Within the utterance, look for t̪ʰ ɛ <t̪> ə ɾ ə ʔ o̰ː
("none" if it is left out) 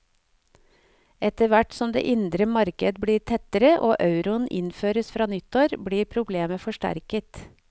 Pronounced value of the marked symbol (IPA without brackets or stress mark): t̪